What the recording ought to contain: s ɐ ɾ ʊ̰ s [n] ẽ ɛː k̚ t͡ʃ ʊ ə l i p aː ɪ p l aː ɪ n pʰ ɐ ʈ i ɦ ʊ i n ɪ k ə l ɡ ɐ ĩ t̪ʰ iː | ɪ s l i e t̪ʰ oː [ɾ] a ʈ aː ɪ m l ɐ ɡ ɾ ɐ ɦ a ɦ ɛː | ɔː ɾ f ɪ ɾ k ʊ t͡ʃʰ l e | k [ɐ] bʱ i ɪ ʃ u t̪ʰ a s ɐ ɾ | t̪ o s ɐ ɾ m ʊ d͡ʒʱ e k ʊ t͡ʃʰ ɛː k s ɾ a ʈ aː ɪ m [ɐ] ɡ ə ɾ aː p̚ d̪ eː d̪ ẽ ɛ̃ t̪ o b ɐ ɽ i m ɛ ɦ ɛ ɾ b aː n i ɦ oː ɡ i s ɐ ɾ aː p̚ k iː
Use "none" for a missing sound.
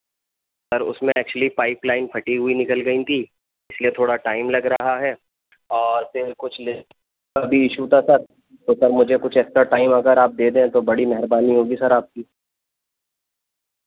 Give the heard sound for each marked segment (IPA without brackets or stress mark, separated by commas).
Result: m, ɽ, a, ɐ